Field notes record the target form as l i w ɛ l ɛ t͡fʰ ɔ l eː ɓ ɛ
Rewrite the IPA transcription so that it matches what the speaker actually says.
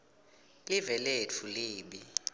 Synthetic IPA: l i v ɛ l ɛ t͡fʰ u l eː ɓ i